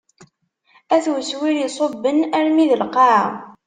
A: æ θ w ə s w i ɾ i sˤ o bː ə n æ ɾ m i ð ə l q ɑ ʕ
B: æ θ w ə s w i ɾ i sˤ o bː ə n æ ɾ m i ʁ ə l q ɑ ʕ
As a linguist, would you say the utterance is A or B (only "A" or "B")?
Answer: A